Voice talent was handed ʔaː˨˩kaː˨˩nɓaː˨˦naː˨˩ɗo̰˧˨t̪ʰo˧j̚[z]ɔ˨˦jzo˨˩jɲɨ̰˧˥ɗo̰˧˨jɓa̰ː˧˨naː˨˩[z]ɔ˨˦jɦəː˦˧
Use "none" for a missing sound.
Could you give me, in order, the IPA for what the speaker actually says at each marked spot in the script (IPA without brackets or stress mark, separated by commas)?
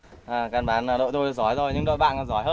z, z